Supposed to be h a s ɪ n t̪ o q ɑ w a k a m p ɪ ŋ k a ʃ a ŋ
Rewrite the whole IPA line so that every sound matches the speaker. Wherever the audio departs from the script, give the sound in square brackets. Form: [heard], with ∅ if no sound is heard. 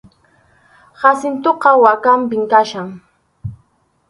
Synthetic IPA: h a s ɪ n t̪ o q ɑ w a k a m p ɪ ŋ k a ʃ a ŋ